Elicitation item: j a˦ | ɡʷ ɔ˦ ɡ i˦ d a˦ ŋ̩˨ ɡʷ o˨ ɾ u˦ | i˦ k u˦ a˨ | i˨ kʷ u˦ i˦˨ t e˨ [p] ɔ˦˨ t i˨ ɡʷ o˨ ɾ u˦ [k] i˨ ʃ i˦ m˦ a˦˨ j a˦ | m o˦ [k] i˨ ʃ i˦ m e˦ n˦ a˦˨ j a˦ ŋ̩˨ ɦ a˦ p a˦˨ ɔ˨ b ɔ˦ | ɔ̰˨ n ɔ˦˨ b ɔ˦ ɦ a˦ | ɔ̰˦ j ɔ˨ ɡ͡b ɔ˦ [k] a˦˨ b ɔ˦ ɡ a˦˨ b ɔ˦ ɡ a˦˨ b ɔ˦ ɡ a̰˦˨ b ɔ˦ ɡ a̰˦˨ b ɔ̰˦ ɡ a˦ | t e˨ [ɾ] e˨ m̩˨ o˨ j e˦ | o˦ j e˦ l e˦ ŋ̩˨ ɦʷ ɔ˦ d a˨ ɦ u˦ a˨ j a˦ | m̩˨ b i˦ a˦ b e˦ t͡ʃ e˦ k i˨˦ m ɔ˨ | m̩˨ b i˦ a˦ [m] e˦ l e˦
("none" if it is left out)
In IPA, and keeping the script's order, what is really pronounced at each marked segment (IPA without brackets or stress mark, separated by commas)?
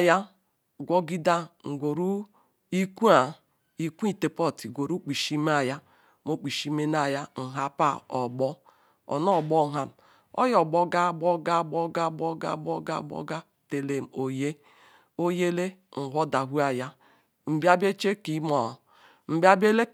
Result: p, k͡p, k͡p, ɡ, l, b